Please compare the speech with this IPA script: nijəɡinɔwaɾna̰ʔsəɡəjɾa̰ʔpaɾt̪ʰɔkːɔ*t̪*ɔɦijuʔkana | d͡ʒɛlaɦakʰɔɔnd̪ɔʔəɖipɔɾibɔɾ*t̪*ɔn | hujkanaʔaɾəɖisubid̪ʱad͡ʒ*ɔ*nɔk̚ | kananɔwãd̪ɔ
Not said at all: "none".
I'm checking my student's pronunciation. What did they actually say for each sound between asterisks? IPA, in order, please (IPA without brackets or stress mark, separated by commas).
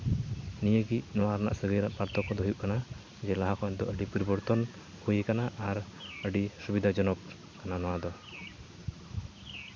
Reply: d̪, t̪, ɔ